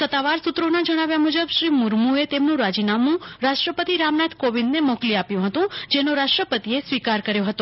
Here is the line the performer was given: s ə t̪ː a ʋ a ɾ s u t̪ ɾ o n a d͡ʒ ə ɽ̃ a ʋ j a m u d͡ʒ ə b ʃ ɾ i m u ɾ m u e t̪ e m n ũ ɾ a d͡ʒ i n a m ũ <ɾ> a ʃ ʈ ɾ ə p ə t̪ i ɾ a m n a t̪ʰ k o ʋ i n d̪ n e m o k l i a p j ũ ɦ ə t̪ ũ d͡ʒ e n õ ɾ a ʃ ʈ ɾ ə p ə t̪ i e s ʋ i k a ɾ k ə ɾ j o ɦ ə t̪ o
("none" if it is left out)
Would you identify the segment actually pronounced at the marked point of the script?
ɾ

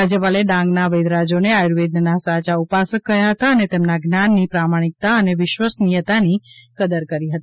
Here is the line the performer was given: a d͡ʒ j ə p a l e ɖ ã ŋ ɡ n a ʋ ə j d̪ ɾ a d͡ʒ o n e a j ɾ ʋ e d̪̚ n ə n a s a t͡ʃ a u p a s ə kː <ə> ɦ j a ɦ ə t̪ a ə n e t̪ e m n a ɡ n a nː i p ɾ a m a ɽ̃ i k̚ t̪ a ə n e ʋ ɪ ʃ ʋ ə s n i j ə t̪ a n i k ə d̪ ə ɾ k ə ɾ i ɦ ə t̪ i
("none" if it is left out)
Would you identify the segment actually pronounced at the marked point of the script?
ə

